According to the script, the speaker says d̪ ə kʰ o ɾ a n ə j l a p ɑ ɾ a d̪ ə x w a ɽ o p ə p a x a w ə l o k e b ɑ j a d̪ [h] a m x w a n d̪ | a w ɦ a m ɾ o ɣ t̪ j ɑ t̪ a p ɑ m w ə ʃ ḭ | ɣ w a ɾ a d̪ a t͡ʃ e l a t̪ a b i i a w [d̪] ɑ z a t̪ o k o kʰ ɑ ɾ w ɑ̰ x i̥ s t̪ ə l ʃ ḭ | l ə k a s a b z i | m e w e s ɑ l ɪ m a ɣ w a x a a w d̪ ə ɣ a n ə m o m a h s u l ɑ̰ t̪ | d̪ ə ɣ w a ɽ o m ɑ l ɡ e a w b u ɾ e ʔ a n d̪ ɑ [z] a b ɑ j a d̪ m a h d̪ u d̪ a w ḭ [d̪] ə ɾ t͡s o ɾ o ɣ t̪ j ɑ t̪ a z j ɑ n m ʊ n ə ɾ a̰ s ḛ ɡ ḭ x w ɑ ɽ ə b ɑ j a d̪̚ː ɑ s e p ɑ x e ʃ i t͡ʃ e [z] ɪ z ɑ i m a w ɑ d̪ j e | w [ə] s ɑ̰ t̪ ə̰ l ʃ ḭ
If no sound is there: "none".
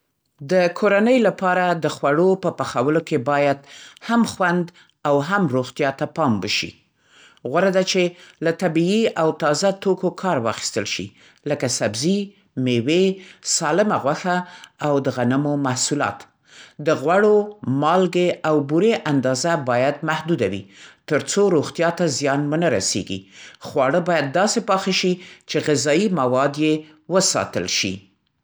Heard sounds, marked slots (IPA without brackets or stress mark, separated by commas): h, t̪, z, t̪, ɣ, ə